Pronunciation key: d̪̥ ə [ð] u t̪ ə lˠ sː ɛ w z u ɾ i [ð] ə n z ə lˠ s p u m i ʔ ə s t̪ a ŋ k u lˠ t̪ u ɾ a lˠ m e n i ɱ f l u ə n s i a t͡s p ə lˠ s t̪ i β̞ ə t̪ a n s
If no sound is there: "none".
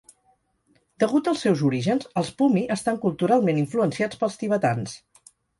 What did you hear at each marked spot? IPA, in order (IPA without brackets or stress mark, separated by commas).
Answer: ɣ, ʒ